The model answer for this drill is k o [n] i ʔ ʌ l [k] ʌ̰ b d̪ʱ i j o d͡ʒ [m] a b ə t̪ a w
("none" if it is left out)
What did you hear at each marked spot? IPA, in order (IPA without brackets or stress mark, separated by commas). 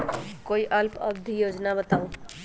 none, p, n